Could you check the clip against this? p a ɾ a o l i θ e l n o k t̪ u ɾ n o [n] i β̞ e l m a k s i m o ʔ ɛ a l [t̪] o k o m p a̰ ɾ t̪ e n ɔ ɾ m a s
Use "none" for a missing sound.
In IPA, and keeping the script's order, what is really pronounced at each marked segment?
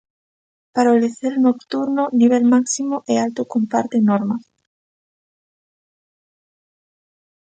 n, t̪

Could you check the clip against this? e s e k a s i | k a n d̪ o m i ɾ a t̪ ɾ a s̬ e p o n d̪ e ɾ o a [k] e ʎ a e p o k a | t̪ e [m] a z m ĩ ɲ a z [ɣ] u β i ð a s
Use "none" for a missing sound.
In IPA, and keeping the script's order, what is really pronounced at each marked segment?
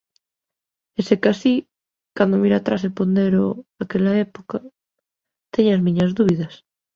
k, ɲ, ð

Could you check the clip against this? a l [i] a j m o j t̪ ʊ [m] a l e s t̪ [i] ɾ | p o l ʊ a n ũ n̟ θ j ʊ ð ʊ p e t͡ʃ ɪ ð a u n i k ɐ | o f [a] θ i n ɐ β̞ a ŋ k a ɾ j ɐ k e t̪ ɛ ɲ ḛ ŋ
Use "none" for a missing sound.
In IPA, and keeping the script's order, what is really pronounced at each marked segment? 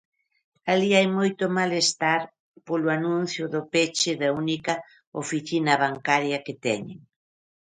i, m, a, i

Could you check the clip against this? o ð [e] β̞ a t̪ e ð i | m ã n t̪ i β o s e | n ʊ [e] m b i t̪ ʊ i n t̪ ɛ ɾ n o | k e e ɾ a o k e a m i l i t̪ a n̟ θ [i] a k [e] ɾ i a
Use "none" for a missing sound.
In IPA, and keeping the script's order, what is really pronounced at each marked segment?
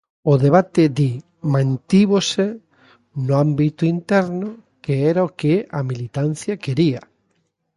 e, a, j, e

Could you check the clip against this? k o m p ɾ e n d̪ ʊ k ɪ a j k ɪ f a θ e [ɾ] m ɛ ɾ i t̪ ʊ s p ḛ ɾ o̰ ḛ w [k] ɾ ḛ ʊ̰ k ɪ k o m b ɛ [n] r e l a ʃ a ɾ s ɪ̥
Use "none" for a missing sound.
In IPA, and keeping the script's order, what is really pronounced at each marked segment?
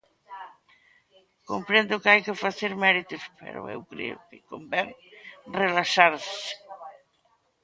ɾ, k, ŋ

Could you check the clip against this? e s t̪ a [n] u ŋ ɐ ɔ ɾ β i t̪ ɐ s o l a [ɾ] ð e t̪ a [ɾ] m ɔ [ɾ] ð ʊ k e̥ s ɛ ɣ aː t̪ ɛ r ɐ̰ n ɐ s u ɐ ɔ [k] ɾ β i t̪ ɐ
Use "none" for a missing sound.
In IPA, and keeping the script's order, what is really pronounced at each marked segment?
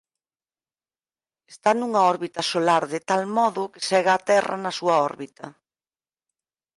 n, ɾ, l, none, none

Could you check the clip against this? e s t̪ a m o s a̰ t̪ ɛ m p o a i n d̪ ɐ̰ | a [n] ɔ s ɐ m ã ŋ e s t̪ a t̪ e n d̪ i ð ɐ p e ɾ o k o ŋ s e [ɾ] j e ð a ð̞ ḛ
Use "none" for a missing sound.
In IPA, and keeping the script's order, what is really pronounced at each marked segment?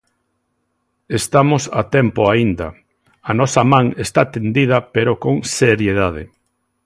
n, ɾ

